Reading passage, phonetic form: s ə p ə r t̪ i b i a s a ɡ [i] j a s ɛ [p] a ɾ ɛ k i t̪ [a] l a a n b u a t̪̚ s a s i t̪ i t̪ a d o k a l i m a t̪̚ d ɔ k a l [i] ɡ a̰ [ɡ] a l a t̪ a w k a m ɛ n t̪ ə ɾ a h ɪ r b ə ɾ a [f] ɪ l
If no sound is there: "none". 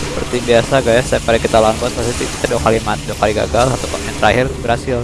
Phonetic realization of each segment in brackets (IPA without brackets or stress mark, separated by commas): a, p, a, i, ɡ, s